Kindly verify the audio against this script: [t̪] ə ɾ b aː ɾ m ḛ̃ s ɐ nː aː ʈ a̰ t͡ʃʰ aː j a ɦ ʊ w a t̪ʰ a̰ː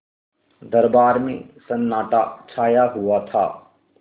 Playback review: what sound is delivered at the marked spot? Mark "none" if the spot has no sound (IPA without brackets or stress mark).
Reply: d̪